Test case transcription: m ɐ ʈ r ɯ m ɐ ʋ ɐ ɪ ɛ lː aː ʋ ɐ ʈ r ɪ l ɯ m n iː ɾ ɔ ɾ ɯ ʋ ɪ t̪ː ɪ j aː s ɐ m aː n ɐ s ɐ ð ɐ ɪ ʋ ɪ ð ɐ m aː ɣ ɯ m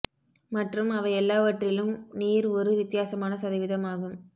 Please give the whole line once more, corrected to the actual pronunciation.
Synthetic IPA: m ɐ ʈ r ɯ m ɐ ʋ ɐ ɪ ɛ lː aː ʋ ɐ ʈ r ɪ l ɯ m n iː ɾ ɔ ɾ ɯ ʋ ɪ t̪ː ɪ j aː s ɐ m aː n ɐ s ɐ ð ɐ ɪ ʋ ɪ ð ɐ m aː ɣ ɯ m